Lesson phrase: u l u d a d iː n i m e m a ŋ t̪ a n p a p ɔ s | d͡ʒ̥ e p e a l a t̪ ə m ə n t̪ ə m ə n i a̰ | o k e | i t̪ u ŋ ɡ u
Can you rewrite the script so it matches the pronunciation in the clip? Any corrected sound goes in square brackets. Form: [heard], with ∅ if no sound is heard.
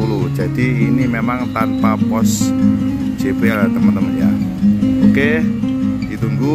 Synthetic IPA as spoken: u l u [d͡ʒ] a d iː n i m e m a ŋ t̪ a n p a p ɔ s | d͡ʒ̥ e p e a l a t̪ ə m ə n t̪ ə m ə n [j] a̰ | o k e | i t̪ u ŋ ɡ u